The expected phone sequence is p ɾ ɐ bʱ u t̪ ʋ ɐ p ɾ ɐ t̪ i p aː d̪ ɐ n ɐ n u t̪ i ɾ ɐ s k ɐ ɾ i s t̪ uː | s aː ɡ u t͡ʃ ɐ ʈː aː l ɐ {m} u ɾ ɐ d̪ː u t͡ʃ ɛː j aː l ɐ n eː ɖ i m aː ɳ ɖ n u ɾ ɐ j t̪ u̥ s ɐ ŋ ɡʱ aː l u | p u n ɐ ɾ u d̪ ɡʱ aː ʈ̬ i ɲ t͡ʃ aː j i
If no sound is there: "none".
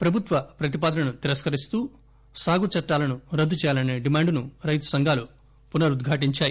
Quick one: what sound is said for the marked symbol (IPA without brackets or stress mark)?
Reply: n